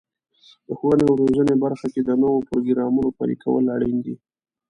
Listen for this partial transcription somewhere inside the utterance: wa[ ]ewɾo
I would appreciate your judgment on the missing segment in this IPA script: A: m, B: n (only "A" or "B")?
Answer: B